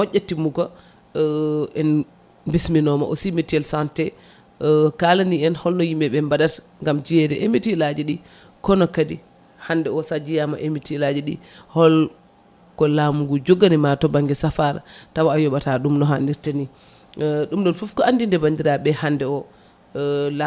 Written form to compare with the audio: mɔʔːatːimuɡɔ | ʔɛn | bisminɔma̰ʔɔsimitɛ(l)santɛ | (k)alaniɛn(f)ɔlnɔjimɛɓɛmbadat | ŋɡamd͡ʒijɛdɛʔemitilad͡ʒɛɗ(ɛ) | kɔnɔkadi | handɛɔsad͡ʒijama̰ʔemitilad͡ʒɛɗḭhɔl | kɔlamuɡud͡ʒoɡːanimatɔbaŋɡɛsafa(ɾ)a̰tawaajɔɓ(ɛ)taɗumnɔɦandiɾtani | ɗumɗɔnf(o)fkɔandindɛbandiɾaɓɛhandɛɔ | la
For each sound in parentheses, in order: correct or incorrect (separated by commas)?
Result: correct, correct, incorrect, incorrect, correct, incorrect, incorrect